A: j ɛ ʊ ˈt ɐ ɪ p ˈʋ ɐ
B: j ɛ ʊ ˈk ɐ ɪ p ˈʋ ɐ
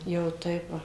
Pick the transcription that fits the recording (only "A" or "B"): A